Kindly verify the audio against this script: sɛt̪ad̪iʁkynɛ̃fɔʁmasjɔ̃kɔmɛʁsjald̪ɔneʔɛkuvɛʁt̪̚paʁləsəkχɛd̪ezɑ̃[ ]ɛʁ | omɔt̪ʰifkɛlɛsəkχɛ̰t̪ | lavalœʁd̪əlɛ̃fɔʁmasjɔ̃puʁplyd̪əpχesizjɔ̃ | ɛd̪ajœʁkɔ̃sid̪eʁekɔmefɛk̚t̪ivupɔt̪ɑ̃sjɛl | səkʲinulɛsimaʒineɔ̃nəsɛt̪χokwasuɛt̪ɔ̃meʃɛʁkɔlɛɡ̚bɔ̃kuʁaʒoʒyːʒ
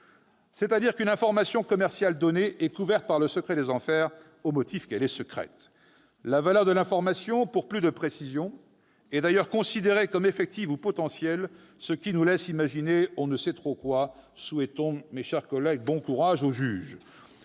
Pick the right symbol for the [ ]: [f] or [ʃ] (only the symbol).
f